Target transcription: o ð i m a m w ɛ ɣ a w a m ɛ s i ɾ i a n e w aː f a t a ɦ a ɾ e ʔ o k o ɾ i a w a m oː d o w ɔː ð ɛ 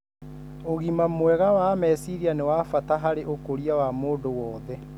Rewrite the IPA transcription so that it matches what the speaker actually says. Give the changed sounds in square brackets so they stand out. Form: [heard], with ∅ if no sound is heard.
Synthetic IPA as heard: o [ɣ] i m a m w ɛ ɣ a w a m ɛ s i ɾ i a n e w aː f a t a ɦ a ɾ e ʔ o k o ɾ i a w a m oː d o w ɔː ð ɛ